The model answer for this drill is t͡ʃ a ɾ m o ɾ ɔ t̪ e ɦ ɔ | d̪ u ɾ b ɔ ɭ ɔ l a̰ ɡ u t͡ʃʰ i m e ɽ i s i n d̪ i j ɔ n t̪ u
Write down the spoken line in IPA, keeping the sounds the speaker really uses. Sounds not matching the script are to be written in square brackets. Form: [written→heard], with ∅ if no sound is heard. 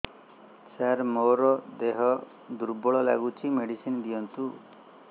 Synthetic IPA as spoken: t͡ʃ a ɾ m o ɾ ɔ [t̪→d̪] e ɦ ɔ | d̪ u ɾ b ɔ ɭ ɔ l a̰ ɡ u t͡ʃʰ i m e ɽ i s i n d̪ i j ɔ n t̪ u